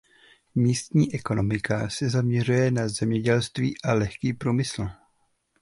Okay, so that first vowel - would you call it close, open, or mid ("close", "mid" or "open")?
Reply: close